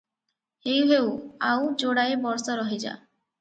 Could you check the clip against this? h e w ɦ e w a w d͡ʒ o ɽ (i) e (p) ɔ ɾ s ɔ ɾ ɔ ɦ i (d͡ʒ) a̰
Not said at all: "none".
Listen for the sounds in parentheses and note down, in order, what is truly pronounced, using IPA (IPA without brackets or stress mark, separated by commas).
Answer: a, b, d͡ʒ